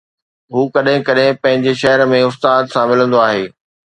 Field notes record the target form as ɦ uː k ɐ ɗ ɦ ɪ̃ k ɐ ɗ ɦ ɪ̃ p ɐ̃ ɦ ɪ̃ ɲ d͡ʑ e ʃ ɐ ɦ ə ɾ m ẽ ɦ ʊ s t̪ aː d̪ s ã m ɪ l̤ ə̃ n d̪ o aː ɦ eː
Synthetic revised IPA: ɦ uː k ɐ ɗ ɦ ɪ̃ k ɐ ɗ ɦ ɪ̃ p ɐ̃ ɦ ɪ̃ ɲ d͡ʑ e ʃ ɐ ɦ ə ɾ m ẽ ʊ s t̪ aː d̪ s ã m ɪ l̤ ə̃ n d̪ o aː ɦ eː